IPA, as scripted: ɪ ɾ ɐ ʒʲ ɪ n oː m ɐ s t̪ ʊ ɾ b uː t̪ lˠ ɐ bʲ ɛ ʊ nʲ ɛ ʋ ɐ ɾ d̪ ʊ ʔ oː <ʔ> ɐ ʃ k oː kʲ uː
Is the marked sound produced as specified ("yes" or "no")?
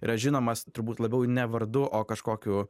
no